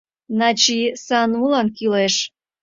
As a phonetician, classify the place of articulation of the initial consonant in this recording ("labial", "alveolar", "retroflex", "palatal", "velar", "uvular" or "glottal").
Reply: alveolar